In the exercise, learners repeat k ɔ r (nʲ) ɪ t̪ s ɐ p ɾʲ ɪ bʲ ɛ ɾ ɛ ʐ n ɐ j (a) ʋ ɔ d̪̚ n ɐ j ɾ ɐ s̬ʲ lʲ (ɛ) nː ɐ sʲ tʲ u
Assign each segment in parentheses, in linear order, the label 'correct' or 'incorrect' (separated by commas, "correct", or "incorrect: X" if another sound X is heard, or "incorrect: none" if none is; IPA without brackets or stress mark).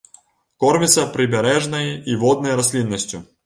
incorrect: mʲ, incorrect: i, incorrect: i